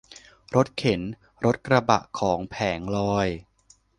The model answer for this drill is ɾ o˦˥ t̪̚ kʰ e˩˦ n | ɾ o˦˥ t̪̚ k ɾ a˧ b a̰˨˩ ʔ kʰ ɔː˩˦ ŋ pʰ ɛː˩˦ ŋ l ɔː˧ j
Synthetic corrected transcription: ɾ o˦˥ t̪̚ kʰ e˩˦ n | ɾ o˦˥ t̪̚ k ɾ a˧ b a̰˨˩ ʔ kʰ ɔː˩˦ ŋ pʰ ɛː˩˦ ŋ l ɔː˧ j